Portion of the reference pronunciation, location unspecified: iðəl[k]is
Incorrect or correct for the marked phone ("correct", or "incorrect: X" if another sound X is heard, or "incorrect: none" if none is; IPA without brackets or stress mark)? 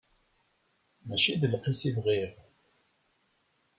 incorrect: q